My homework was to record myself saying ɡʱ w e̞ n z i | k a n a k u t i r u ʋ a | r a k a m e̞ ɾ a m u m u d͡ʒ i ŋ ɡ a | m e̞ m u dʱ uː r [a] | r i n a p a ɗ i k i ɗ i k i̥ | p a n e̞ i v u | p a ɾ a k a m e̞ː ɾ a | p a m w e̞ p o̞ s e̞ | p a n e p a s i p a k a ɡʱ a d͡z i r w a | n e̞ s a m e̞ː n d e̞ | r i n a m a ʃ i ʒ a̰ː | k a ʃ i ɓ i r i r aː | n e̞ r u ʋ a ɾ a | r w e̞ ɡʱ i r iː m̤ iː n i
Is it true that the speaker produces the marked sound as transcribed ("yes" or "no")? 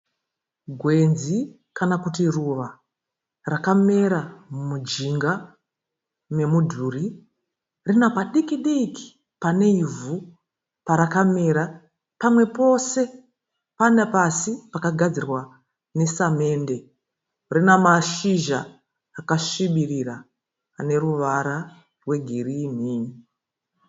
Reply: no